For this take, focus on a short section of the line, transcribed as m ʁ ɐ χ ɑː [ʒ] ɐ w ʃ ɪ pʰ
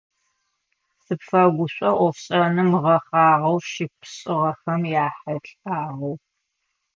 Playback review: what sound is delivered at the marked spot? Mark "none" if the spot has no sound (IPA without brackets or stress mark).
ʁ